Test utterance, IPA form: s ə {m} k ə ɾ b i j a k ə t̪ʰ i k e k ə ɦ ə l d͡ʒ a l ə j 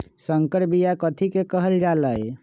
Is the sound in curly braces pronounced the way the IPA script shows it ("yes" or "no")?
no